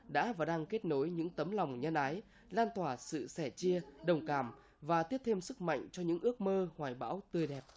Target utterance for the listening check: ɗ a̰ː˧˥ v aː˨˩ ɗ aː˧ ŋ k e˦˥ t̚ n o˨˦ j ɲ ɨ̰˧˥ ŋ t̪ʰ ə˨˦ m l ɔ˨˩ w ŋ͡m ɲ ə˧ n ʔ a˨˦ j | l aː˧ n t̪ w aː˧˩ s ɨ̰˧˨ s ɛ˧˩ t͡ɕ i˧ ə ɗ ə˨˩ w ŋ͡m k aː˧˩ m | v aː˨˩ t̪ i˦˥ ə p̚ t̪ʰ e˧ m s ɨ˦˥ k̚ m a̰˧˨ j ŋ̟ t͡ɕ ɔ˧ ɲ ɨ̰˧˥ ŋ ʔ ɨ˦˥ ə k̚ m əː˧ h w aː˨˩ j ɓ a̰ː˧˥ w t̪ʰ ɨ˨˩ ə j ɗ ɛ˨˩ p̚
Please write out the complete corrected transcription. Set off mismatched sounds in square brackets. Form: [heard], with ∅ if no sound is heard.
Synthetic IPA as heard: ɗ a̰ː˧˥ v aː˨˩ ɗ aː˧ ŋ k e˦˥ t̚ n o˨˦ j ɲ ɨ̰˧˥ ŋ [t̪] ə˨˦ m l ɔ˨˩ w ŋ͡m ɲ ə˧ n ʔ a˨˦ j | l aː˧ n t̪ w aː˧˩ s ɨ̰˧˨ s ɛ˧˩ t͡ɕ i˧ ə ɗ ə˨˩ w ŋ͡m k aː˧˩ m | v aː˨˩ t̪ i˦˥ ə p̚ t̪ʰ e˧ m s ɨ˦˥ k̚ m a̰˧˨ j ŋ̟ t͡ɕ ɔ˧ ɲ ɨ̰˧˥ ŋ ʔ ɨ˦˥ ə k̚ m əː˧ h w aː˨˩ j ɓ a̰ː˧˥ w [t̪] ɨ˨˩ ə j ɗ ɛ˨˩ p̚